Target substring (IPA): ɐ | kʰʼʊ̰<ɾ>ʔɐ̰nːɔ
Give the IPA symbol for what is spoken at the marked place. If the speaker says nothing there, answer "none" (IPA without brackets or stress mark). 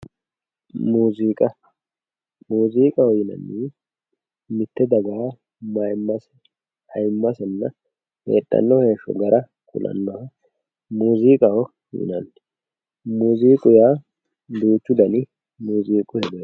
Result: l